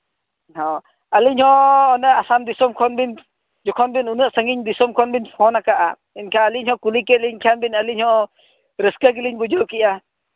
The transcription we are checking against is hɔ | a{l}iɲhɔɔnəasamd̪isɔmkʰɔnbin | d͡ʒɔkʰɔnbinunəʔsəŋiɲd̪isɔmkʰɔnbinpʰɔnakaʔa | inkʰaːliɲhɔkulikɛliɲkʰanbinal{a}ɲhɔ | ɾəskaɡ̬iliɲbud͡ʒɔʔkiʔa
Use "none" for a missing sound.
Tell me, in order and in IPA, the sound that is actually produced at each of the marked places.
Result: l, i

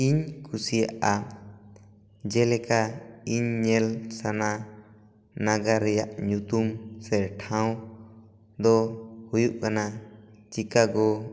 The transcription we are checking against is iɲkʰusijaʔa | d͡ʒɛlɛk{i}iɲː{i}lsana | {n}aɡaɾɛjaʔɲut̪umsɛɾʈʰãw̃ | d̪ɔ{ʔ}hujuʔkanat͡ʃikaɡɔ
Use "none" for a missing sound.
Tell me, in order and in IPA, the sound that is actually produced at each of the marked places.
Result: a, ɛ, n, none

